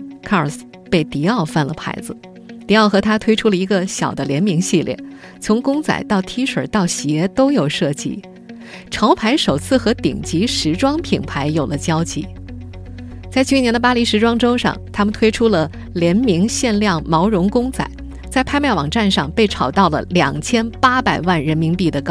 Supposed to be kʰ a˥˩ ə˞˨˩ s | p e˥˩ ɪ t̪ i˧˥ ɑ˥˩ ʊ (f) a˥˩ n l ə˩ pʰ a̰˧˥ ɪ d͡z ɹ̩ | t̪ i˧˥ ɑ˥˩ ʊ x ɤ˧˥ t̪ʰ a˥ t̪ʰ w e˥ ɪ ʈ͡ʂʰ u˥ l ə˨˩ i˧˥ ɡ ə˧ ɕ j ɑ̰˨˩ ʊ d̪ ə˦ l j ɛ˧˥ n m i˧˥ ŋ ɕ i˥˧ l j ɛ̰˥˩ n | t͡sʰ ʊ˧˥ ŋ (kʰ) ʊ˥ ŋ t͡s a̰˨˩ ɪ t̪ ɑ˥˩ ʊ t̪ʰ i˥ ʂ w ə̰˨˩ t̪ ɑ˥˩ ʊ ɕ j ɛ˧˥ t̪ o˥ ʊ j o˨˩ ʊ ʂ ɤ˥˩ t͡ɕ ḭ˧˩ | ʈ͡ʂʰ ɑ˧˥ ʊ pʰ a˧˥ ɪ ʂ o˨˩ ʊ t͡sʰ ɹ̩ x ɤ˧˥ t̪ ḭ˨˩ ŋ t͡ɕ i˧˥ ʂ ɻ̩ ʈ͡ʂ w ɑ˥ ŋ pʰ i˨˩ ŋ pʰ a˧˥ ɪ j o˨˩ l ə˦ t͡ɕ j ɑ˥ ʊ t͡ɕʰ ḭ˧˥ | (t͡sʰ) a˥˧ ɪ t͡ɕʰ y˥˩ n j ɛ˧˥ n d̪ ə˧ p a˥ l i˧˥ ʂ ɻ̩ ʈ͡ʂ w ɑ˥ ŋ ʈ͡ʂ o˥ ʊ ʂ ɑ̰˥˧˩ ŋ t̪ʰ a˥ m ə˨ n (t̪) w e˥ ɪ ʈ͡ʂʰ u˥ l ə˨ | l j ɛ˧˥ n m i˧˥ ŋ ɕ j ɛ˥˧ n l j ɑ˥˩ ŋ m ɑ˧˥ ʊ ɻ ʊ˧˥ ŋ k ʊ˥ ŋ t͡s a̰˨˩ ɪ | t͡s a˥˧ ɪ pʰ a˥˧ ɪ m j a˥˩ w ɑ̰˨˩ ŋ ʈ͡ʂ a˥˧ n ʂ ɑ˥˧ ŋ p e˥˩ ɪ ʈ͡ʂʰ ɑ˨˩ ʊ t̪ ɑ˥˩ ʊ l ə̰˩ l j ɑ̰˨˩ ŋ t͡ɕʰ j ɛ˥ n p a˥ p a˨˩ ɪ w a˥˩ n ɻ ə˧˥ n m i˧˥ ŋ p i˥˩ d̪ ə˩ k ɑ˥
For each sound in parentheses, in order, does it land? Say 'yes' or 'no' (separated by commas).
yes, no, no, no